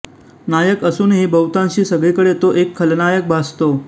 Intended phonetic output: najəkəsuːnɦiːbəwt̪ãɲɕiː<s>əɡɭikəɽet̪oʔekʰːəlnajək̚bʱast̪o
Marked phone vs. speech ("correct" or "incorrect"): correct